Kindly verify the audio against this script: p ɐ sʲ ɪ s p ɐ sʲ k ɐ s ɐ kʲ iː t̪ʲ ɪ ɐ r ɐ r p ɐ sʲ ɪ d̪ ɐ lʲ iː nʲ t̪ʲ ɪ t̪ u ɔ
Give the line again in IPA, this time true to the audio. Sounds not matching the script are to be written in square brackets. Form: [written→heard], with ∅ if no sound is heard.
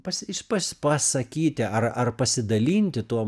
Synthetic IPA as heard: p ɐ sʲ ɪ [s→ʃ] p ɐ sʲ [k→p] ɐ s ɐ kʲ iː t̪ʲ ɪ ɐ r ɐ r p ɐ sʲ ɪ d̪ ɐ lʲ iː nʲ t̪ʲ ɪ t̪ u ɔ